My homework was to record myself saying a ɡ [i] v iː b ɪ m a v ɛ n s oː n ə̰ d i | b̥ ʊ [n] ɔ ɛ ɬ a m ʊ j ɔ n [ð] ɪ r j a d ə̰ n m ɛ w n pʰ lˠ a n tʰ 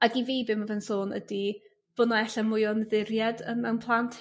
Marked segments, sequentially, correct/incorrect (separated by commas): correct, correct, correct